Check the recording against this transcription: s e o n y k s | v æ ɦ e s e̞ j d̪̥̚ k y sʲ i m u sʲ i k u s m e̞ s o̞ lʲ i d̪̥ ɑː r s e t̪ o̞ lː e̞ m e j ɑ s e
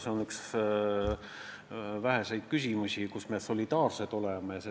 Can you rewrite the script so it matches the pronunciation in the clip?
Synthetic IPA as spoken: s e o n y k s | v æ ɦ e s e̞ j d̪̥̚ k y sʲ i m u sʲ i k u s m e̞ s o̞ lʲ i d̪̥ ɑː r s e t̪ o̞ l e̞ m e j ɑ s e